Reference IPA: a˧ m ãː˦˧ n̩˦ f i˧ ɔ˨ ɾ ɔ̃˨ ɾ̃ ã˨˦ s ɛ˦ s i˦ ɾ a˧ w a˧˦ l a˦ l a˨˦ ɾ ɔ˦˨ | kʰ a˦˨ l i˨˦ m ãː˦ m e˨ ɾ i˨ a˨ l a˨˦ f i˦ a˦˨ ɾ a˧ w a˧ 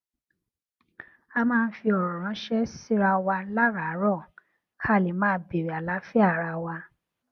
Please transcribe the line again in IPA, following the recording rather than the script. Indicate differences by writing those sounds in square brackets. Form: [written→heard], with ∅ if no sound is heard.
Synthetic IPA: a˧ m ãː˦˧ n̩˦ f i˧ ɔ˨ ɾ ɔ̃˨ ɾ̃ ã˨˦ [s→ʃ] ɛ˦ s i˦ ɾ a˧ w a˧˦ l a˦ [l→ɾ] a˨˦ ɾ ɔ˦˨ | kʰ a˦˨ l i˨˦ m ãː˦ [m→b] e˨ ɾ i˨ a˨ l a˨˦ f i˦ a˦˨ ɾ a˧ w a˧